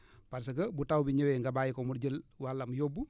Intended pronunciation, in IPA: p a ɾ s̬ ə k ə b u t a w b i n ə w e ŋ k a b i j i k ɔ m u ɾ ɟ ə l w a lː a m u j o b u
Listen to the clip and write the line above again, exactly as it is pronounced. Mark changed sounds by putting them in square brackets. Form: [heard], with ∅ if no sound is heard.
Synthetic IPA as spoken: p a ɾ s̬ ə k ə b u t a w b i [ɲ] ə w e ŋ [ɡ] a b [a] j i k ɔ m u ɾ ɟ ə l w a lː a m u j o b u